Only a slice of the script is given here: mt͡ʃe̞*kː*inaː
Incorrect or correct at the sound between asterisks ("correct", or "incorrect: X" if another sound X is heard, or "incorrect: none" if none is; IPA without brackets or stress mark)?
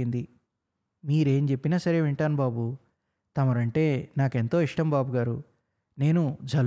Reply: incorrect: pː